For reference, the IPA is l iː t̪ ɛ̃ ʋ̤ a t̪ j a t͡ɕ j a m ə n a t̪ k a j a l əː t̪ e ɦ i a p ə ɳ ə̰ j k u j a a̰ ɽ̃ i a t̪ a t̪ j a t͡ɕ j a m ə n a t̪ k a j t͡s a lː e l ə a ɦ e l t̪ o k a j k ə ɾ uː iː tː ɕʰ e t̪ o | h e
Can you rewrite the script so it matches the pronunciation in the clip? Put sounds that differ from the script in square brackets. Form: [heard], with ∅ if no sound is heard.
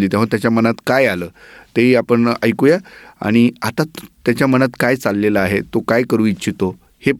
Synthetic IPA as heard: l iː t̪ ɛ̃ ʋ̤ a t̪ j a t͡ɕ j a m ə n a t̪ k a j a l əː t̪ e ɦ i a p ə ɳ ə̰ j k u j a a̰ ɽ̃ i a t̪ a t̪ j a t͡ɕ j a m ə n a t̪ k a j t͡s a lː e l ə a ɦ e [∅] t̪ o k a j k ə ɾ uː [i] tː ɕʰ [i] t̪ o | h e